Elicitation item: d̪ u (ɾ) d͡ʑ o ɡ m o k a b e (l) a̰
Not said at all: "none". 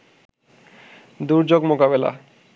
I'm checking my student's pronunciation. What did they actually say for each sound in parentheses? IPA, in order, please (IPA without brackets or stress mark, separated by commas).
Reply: ɾ, l